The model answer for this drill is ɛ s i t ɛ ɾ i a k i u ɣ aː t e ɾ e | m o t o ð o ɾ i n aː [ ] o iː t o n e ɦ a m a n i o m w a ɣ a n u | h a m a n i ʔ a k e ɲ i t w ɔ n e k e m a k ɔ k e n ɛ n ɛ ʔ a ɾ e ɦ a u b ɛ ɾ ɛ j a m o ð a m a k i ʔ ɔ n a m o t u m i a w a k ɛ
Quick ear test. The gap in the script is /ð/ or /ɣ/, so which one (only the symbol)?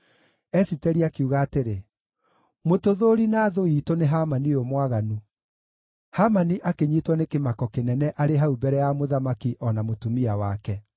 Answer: ð